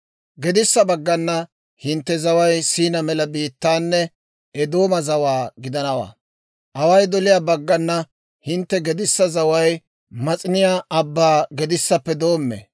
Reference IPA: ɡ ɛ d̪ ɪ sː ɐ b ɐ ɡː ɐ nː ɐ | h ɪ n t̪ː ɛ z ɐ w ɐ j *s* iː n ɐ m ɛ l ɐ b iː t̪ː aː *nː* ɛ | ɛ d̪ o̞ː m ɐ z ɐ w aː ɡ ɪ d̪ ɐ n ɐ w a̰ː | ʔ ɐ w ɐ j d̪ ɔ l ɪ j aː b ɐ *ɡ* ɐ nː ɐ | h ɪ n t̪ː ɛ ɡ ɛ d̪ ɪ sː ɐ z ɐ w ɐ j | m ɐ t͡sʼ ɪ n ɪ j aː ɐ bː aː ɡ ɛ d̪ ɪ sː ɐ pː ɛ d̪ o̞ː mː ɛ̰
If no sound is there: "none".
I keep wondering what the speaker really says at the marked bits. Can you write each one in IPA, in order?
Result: s, nː, ɡː

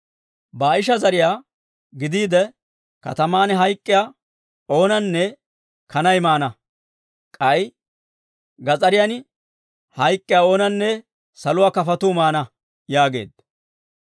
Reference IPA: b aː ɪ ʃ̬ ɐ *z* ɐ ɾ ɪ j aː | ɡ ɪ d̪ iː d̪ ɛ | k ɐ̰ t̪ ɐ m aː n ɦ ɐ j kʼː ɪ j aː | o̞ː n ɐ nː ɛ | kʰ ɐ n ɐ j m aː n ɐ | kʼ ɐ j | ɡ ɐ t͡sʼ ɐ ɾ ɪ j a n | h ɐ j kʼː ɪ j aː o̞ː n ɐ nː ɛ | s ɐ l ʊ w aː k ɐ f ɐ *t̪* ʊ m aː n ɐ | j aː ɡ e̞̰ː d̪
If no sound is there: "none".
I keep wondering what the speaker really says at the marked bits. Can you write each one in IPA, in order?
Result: z, t̪

